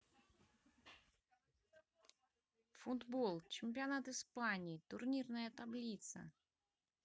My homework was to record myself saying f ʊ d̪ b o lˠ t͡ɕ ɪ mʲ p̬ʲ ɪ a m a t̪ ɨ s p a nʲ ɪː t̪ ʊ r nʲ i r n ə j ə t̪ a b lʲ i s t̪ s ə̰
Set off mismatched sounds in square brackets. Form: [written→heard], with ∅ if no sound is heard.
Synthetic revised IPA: f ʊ d̪ b o lˠ t͡ɕ ɪ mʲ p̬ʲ ɪ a [m→n] a t̪ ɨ s p a nʲ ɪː t̪ ʊ r nʲ i r n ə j ə t̪ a b lʲ i [s→∅] t̪ s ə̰